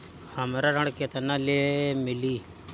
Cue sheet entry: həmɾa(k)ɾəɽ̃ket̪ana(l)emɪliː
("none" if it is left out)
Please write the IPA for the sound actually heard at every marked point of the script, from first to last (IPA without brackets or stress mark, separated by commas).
none, l